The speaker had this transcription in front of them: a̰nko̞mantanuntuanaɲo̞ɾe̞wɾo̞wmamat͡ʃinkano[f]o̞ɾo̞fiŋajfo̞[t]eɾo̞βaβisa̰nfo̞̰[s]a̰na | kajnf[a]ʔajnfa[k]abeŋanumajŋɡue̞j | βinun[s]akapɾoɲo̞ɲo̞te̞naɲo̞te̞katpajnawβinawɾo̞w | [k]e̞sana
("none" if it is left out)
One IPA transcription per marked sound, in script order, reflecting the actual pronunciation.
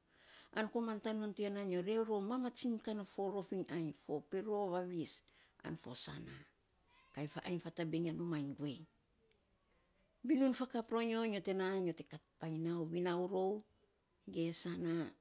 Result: f, p, s, a, t, f, ɡ

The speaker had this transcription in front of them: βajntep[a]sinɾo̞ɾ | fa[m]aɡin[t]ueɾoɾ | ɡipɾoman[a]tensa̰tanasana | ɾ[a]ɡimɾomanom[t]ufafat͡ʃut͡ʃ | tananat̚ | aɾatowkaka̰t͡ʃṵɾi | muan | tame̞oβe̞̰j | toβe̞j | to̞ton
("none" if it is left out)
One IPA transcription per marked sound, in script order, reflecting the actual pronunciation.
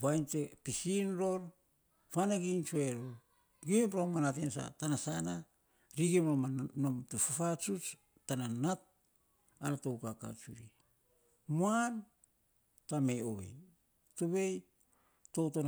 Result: i, n, t͡ʃ, a, i, t

